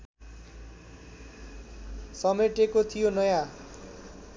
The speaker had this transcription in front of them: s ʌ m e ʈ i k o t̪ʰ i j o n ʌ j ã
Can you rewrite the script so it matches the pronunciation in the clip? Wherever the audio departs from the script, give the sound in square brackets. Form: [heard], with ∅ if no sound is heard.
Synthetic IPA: s ʌ m e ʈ [e] k o t̪ʰ i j o n ʌ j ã